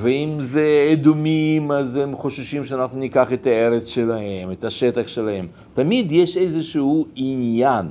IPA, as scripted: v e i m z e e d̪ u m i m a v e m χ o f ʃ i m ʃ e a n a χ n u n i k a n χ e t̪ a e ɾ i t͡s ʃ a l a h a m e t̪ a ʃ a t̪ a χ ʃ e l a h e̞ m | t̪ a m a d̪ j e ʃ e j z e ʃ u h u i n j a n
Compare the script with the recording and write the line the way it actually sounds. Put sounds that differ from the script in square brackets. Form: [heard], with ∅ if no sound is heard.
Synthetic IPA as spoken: v e i m z e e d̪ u m i m a [z] e m χ o [ʃ] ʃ i m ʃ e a n a χ n u n i k a [∅] χ e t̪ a e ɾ [e] t͡s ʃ [e] l a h [e] m e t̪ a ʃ [e] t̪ a χ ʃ e l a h e̞ m | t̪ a m [i] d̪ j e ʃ e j z e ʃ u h u i n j a n